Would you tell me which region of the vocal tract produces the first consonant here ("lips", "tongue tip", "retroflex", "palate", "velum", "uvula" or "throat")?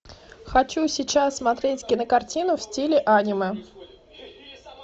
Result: velum